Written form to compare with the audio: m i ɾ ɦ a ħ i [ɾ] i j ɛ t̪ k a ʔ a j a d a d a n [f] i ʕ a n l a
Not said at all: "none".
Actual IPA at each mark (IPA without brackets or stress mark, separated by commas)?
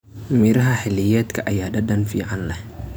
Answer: l, f